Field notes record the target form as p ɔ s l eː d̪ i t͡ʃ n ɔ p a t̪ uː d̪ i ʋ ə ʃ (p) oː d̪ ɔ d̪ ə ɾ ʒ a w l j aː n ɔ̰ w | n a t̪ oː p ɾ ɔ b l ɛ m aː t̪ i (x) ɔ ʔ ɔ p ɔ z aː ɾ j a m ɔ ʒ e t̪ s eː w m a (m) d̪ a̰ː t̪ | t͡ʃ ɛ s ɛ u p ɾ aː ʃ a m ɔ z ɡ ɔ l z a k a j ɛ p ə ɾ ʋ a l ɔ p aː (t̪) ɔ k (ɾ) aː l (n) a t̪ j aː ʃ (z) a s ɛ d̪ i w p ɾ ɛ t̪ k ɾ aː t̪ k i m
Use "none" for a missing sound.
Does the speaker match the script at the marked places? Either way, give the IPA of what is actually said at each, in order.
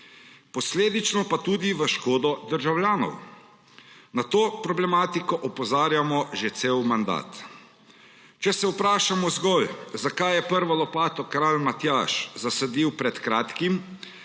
k, k, n, t̪, ɾ, m, z

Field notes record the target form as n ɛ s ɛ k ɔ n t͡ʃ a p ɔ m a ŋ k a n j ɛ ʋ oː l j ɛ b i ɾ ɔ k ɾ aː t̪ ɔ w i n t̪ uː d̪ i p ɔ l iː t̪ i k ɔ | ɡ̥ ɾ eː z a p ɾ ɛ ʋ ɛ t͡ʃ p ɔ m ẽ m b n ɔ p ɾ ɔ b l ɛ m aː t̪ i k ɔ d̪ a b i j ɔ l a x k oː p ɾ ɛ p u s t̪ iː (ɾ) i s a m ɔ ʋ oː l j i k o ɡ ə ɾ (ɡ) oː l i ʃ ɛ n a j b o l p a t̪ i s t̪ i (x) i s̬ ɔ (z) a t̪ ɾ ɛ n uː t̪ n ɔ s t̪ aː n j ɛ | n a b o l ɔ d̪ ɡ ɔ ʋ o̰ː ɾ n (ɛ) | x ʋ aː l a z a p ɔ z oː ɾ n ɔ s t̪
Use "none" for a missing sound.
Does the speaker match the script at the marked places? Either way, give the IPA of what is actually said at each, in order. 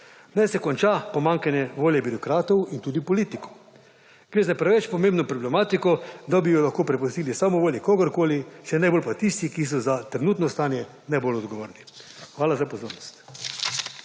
l, k, k, z, i

